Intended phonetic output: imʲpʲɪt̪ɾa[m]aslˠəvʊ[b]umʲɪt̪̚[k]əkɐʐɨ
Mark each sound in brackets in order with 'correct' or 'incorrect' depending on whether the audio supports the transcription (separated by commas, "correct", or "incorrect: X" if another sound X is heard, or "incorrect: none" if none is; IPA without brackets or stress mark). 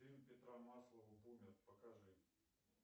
correct, correct, incorrect: p